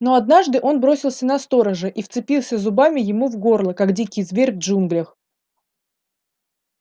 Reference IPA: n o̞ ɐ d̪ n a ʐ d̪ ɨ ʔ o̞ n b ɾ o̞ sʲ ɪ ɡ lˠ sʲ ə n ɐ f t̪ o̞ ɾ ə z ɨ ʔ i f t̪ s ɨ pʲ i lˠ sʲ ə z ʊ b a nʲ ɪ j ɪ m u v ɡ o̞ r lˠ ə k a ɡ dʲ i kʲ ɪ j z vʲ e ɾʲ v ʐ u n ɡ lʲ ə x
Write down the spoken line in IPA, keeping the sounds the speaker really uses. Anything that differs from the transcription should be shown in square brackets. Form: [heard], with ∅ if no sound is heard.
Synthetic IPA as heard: n o̞ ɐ d̪ n a ʐ d̪ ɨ ʔ o̞ n b ɾ o̞ sʲ ɪ [∅] lˠ sʲ ə n ɐ [s] t̪ o̞ ɾ ə [ʐ] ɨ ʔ i f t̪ s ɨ pʲ i lˠ sʲ ə z ʊ b a [mʲ] ɪ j ɪ m u v ɡ o̞ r lˠ ə k a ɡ dʲ i kʲ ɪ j z vʲ e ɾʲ v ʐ u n ɡ lʲ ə x